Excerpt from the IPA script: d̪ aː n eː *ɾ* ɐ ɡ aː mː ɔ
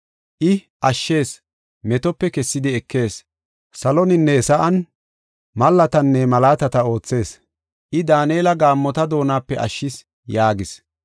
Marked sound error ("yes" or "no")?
yes